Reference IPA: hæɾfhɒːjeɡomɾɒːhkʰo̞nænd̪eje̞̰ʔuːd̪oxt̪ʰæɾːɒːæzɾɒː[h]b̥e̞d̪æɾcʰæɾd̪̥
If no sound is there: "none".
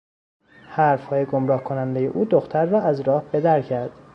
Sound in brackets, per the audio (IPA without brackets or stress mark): h